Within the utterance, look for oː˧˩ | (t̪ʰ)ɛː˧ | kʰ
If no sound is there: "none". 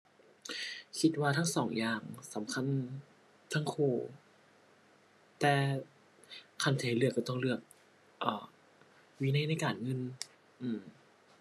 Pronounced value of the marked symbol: t̪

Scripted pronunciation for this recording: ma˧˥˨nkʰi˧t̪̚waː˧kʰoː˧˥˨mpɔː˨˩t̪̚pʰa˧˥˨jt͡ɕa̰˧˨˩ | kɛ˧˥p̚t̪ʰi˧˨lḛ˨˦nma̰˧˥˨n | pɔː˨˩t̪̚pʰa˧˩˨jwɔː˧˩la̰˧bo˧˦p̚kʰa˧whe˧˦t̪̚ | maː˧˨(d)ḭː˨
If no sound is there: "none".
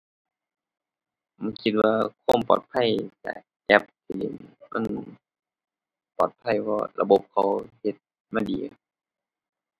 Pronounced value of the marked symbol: d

